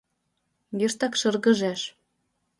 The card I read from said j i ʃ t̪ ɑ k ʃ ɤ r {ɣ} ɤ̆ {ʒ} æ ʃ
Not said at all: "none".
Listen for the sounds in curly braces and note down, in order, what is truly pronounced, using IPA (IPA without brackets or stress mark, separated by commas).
ɣ, ʒ